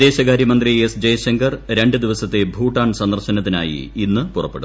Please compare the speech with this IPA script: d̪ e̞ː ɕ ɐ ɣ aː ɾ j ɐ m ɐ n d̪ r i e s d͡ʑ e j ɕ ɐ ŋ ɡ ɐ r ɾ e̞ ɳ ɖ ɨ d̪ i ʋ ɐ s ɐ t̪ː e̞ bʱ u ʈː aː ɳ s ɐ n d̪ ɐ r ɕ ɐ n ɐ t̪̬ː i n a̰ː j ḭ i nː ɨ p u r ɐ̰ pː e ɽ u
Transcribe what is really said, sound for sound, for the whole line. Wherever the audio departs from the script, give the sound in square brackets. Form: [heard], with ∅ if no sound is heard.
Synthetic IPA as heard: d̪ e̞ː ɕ ɐ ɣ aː ɾ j ɐ m ɐ n d̪ r i e s d͡ʑ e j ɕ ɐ ŋ ɡ ɐ r ɾ e̞ ɳ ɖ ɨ d̪ i ʋ ɐ s ɐ t̪ː e̞ bʱ [uː] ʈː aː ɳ s ɐ n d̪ ɐ r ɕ ɐ n ɐ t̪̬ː i n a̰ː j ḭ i nː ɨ p u r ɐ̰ pː e ɽ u